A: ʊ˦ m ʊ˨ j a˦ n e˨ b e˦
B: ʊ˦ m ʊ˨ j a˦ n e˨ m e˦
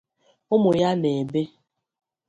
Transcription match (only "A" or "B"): A